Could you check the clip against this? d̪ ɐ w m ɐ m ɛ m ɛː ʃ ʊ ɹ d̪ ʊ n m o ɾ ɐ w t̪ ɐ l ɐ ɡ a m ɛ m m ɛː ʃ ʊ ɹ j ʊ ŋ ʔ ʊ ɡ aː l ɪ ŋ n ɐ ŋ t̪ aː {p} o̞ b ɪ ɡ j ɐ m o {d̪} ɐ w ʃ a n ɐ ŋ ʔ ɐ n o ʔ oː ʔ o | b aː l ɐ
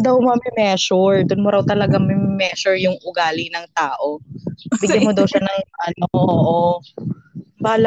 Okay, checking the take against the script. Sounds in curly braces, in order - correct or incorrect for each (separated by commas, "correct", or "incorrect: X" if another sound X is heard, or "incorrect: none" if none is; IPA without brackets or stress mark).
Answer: incorrect: ʔ, correct